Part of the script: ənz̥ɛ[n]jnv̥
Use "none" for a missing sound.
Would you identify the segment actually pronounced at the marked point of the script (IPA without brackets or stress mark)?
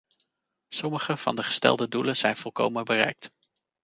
none